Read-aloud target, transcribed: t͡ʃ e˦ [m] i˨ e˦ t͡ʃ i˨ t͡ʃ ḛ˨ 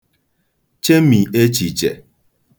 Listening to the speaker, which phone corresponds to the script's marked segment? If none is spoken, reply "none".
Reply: m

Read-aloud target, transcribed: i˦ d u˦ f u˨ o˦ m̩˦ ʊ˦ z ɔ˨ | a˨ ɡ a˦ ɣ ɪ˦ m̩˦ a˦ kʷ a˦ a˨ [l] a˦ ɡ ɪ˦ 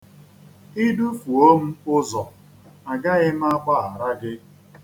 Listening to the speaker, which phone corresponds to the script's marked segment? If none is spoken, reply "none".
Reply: ɾ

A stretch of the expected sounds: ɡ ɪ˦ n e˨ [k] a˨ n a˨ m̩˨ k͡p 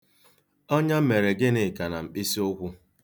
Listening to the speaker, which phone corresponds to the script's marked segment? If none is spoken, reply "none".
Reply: k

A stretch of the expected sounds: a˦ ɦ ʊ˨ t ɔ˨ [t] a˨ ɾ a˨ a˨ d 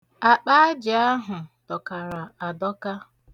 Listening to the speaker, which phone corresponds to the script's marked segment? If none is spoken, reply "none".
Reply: k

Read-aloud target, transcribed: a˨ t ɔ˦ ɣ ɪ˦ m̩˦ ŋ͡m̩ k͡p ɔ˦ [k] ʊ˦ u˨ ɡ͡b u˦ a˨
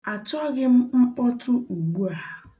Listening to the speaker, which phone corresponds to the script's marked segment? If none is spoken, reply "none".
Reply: t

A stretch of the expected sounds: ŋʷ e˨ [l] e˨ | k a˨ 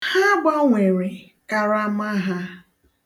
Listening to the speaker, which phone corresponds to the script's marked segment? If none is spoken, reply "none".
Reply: ɾ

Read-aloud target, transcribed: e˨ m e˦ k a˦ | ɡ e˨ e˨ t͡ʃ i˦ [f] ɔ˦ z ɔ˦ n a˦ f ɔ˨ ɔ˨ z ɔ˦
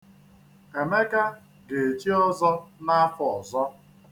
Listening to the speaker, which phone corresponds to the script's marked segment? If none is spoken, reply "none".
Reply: none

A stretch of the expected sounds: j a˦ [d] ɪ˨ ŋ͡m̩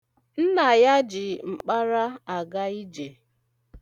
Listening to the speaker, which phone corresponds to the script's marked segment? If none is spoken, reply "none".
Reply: d͡ʒ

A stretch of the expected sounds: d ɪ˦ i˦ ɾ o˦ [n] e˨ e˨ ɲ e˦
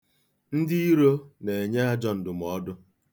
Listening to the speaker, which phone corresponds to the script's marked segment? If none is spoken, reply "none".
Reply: n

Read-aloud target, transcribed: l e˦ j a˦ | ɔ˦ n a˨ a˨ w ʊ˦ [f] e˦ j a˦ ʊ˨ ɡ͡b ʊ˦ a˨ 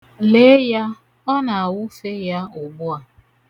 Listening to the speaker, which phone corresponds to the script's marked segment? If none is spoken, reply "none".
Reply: f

